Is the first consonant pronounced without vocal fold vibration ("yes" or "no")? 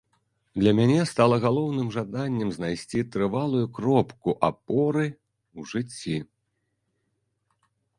no